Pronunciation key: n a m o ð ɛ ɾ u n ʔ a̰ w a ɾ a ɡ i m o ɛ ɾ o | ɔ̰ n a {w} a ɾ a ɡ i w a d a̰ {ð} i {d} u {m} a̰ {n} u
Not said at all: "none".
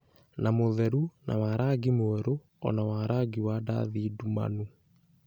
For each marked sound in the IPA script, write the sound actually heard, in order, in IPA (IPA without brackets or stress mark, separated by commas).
w, ð, d, m, n